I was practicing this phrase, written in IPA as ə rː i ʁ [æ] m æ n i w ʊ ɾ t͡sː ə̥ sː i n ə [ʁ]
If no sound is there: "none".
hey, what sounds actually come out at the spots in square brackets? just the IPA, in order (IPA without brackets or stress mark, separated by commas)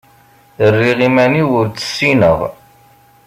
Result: i, ʁ